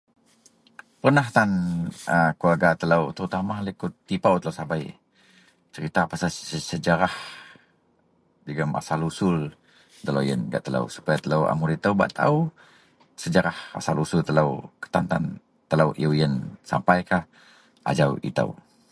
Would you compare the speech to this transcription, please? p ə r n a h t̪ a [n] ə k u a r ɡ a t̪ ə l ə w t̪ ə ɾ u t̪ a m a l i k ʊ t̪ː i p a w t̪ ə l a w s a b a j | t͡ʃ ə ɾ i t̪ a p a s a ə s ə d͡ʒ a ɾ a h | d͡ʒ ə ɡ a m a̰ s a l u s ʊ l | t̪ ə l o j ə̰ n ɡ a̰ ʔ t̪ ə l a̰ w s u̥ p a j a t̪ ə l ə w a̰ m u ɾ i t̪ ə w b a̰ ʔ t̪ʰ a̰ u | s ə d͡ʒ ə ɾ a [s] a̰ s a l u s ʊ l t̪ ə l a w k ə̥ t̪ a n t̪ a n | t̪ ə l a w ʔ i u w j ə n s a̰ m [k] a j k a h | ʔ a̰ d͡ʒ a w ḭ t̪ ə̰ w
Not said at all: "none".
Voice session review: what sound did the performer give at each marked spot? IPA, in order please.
n, h, p

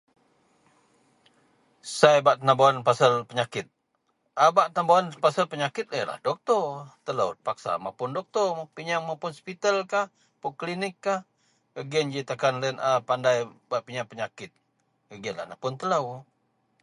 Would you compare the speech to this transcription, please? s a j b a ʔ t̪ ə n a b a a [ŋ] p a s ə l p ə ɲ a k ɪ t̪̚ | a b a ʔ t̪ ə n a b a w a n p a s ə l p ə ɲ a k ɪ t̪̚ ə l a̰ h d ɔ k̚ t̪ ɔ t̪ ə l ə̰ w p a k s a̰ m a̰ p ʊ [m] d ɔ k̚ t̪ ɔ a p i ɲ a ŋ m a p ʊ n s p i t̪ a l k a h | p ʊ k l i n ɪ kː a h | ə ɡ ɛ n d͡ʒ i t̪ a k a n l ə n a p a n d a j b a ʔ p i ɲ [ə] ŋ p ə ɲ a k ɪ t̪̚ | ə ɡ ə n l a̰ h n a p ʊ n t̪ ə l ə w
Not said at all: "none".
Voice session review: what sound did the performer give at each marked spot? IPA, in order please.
n, n, a

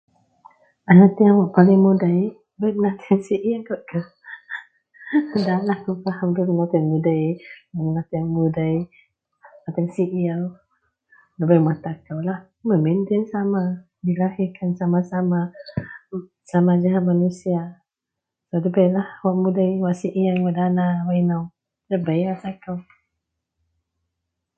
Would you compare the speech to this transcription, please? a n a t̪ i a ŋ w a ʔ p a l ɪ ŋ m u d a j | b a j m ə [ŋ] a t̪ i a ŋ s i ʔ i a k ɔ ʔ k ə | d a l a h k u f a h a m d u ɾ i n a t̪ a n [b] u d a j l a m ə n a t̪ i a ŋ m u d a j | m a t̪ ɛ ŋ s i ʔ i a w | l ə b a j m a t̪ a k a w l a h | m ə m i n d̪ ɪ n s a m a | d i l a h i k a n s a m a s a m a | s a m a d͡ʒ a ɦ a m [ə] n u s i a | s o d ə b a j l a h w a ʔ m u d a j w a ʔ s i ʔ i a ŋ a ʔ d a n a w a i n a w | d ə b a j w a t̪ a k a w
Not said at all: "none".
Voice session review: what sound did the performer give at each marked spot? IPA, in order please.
n, m, a

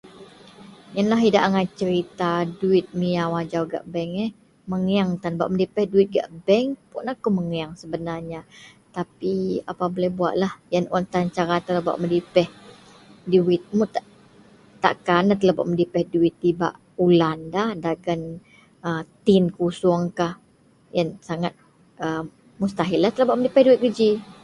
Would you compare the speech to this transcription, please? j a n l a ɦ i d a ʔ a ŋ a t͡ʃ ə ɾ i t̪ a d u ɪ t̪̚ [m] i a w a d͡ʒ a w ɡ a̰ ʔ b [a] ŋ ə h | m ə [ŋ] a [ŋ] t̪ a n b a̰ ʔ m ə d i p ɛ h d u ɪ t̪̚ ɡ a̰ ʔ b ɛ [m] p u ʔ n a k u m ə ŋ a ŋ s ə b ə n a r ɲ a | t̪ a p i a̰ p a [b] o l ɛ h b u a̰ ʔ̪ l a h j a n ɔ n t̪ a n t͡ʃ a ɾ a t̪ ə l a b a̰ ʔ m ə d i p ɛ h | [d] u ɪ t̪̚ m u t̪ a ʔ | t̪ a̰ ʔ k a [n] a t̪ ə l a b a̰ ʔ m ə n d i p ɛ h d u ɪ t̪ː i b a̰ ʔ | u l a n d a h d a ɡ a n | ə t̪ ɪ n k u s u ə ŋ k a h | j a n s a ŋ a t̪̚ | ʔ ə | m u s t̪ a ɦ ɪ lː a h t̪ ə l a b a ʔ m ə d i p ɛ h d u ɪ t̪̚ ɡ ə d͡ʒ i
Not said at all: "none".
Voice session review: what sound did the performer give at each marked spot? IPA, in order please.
m, ɛ, ŋ, ŋ, ŋ, b, d, n

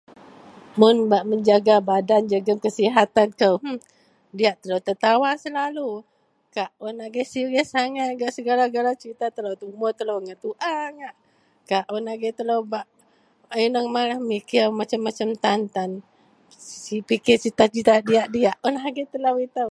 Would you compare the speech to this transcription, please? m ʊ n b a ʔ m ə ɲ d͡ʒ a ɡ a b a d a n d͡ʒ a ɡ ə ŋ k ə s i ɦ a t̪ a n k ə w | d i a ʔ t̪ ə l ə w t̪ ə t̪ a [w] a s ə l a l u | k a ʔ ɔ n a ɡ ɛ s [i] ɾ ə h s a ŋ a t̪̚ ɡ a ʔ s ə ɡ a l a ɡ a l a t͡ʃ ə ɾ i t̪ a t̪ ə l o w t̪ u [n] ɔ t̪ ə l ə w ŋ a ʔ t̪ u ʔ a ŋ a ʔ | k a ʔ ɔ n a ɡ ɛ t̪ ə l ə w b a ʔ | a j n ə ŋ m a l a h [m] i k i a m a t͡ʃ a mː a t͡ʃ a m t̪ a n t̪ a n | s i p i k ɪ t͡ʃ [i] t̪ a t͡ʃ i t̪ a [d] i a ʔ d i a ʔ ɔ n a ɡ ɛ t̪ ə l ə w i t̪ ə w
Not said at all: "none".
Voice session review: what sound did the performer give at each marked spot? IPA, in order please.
w, i, m, m, i, d

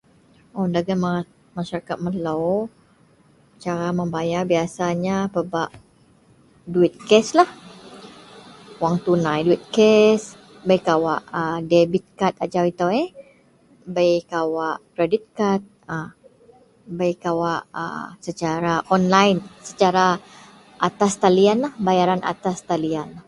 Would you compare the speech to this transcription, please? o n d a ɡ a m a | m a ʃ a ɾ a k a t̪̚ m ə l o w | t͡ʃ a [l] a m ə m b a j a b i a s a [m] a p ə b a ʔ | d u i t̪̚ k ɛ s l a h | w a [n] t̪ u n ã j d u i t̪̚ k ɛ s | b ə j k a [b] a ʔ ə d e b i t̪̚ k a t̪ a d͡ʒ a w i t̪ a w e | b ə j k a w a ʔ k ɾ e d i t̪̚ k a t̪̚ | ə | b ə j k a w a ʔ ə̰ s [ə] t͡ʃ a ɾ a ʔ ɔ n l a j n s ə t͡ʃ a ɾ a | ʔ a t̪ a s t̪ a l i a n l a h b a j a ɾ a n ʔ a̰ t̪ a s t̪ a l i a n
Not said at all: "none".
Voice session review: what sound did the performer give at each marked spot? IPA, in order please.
ɾ, ɲ, ŋ, w, ə

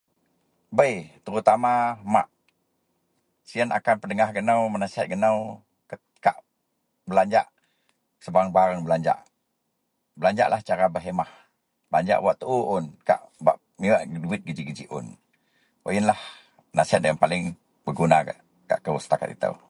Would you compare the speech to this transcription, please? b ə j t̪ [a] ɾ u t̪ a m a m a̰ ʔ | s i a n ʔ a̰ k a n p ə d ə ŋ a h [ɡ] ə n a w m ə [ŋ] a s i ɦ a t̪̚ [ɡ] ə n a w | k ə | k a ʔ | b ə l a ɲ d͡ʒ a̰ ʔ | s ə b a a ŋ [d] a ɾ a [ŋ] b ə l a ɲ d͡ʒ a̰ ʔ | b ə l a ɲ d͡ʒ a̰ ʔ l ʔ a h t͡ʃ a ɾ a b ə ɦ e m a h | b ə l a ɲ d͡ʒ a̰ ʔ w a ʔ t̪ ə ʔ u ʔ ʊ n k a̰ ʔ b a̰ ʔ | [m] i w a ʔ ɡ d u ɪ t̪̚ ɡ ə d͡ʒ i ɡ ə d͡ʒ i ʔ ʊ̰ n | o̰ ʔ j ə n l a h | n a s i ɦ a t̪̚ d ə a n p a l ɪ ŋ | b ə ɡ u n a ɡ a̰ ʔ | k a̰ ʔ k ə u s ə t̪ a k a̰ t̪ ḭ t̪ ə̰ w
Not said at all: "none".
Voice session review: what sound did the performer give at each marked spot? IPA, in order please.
ə, ɡ, n, ɡ, b, ŋ, m

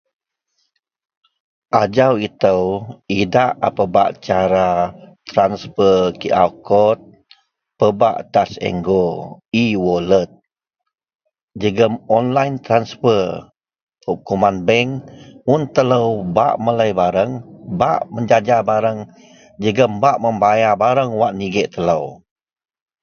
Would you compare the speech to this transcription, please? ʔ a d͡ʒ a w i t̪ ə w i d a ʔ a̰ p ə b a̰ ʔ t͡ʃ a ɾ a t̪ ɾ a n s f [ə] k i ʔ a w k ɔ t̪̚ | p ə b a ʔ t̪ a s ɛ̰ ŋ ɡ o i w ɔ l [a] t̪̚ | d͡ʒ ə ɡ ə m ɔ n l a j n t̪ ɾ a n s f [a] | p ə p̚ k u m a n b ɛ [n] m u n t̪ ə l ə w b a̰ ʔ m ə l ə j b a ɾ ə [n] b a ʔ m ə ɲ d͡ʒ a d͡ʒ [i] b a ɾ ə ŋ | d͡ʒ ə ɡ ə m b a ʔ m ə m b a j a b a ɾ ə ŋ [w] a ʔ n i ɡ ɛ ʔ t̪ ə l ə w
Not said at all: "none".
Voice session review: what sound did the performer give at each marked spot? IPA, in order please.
ə, ə, ə, ŋ, ŋ, a, w

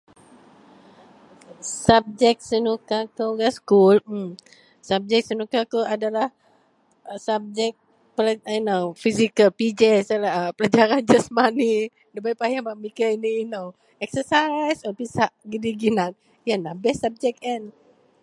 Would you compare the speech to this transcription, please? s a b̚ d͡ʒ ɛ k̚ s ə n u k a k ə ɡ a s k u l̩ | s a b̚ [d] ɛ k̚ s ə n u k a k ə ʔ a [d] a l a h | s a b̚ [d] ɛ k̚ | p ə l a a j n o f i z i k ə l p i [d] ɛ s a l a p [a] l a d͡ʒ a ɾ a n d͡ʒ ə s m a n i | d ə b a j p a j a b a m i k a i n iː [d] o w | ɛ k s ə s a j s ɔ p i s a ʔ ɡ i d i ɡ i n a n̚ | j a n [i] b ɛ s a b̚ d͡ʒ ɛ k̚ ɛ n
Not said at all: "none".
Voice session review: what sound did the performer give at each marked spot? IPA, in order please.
d͡ʒ, d, d͡ʒ, d͡ʒ, ə, n, a

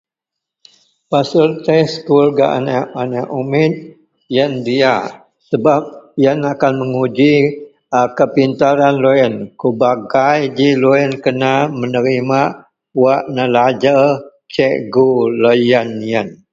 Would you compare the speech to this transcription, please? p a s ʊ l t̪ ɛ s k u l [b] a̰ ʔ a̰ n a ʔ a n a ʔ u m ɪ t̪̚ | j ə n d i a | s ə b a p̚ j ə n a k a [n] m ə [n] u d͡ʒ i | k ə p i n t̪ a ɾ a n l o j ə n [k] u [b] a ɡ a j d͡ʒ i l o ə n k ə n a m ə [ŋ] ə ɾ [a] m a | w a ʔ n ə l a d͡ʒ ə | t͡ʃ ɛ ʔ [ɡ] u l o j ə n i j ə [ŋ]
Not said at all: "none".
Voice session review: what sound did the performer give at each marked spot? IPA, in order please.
ɡ, n, ŋ, k, b, n, i, ɡ, n

